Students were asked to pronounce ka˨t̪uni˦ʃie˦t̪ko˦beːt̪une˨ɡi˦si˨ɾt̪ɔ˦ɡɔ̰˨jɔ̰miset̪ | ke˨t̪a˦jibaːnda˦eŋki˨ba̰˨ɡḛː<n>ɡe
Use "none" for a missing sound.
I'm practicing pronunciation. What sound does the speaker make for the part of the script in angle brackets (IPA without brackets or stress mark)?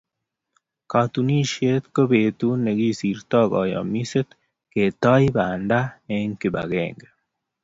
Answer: ŋ